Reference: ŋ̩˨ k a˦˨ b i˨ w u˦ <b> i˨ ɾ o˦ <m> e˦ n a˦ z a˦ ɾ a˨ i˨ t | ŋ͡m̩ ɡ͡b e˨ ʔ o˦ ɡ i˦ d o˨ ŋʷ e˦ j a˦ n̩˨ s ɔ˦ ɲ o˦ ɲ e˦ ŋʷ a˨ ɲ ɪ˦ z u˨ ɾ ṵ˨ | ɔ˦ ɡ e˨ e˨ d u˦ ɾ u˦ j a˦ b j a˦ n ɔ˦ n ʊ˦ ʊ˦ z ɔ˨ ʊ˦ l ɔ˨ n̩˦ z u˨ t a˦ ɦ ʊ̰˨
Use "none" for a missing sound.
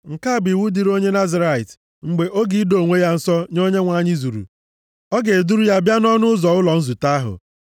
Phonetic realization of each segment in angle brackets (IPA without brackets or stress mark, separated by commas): d, ɲ